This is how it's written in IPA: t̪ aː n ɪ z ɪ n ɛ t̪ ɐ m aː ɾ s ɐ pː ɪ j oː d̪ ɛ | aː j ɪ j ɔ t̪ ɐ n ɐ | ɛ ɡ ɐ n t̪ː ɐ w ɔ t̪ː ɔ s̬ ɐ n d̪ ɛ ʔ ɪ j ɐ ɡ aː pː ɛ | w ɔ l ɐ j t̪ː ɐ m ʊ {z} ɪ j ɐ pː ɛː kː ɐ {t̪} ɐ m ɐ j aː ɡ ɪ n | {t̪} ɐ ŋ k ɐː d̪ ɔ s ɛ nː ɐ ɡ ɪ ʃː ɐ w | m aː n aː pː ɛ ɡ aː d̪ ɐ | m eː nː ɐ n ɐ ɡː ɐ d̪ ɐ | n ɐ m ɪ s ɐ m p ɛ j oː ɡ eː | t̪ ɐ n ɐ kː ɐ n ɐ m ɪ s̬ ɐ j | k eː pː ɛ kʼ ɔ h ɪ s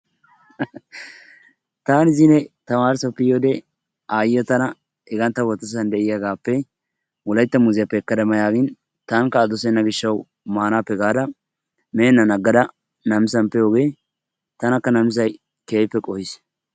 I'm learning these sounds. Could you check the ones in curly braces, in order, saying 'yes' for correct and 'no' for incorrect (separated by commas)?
yes, no, yes